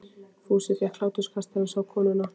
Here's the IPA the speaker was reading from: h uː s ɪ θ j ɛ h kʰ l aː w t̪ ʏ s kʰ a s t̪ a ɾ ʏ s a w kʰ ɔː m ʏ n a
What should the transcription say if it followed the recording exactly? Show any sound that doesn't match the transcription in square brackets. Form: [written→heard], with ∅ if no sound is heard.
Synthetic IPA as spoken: [h→f] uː s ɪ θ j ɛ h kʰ l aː w t̪ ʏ s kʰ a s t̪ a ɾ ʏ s a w kʰ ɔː [m→n] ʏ n a